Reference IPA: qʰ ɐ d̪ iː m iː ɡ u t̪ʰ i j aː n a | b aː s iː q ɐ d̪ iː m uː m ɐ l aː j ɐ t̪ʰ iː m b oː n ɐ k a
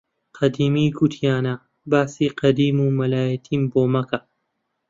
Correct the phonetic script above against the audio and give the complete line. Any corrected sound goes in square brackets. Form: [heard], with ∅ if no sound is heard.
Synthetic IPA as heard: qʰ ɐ d̪ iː m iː ɡ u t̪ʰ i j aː n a | b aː s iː q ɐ d̪ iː m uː m ɐ l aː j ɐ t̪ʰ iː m b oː [m] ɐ k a